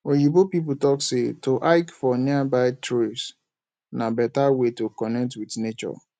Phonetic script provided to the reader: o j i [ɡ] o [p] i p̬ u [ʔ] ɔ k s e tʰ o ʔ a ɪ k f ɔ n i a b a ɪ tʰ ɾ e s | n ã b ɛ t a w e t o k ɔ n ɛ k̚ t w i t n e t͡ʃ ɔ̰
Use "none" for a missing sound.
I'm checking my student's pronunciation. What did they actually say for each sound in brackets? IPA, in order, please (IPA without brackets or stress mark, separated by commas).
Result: b, p, t